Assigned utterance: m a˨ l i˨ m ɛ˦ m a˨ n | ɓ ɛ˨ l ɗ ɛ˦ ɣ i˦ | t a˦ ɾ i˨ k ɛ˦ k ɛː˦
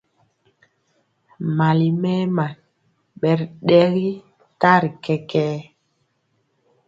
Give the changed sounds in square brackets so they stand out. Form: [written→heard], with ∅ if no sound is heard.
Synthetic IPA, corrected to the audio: m a˨ l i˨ m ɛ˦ m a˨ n | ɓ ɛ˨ [l→ɾ] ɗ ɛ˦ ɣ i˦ | t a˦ ɾ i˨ k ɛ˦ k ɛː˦